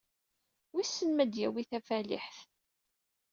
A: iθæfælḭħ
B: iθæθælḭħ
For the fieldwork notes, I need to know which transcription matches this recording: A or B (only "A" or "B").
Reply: A